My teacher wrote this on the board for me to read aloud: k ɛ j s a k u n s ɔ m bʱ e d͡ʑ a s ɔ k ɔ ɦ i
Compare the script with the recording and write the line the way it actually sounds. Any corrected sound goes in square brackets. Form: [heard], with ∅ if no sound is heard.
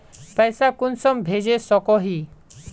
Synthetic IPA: [p] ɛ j s a k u n s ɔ m bʱ e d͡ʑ [e] s ɔ k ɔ ɦ i